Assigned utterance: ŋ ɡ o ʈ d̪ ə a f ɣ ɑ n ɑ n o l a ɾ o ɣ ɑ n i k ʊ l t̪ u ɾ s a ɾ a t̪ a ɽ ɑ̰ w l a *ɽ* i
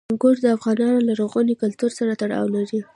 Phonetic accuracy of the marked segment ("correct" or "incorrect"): incorrect